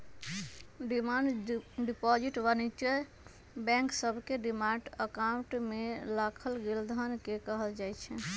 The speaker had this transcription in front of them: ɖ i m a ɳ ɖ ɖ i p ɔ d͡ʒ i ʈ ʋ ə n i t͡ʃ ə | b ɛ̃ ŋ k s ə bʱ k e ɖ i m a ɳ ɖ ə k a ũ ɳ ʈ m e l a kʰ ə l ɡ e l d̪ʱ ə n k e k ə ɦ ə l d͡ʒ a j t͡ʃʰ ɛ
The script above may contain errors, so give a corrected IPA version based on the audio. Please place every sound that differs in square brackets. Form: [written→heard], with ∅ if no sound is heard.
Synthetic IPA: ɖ i m a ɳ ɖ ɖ i p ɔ d͡ʒ i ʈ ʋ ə n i t͡ʃ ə | b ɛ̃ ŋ k s ə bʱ k e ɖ i m a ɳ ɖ ə k a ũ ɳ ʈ m e l a kʰ ə l ɡ e l d̪ʱ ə n k e k ə ɦ ə l d͡ʒ a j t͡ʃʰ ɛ